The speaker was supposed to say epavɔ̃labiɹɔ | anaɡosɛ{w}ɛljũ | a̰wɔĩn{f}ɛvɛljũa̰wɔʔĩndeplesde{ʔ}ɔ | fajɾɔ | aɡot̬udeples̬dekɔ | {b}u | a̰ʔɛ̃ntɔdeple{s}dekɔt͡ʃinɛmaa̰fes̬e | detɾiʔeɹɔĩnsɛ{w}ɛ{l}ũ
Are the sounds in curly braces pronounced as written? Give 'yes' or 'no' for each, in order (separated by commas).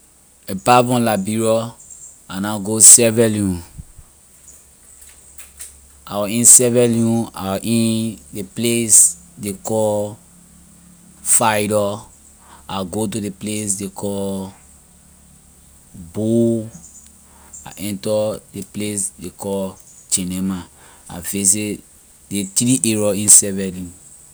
no, no, no, yes, yes, no, yes